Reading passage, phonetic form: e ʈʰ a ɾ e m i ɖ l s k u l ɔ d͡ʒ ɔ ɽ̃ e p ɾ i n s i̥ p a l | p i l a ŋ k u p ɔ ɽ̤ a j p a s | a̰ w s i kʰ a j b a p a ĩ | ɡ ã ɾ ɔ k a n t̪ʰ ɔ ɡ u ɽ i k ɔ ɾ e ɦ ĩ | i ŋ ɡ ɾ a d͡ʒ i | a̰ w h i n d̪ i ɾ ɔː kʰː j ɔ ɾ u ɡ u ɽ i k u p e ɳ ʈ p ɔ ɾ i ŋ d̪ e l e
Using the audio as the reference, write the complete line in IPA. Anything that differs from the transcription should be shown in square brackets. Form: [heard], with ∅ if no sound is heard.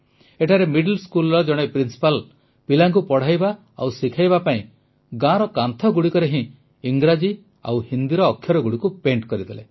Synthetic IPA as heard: e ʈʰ a ɾ e m i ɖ l s k u l ɔ d͡ʒ ɔ ɽ̃ e p ɾ i n s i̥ p a l | p i l a ŋ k u p ɔ ɽ̤ a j [b] a [∅] | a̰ w s i kʰ a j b a p a ĩ | ɡ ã ɾ ɔ k a n t̪ʰ ɔ ɡ u ɽ i k ɔ ɾ e ɦ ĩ | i ŋ ɡ ɾ a d͡ʒ i | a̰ w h i n d̪ i ɾ ɔː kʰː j ɔ ɾ [ɔ] ɡ u ɽ i k u p e ɳ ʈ [k] ɔ ɾ i [∅] d̪ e l e